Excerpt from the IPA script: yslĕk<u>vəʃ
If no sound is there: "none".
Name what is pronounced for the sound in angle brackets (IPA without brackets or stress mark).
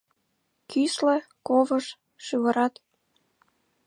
o